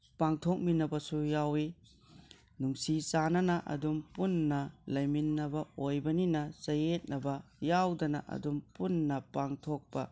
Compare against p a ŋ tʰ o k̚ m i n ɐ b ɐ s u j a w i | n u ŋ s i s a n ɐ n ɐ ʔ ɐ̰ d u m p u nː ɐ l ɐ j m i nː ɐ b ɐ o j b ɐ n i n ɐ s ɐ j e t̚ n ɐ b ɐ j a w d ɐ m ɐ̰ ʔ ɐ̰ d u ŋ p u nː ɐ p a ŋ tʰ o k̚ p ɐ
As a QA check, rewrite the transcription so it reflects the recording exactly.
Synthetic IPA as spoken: p a ŋ tʰ o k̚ m i n ɐ b ɐ s u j a w i | n u ŋ s i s a n ɐ n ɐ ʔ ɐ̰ d u m p u nː ɐ l ɐ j m i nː ɐ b ɐ o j b ɐ n i n ɐ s ɐ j e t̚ n ɐ b ɐ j a w d ɐ n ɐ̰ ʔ ɐ̰ d u m p u nː ɐ p a ŋ tʰ o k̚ p ɐ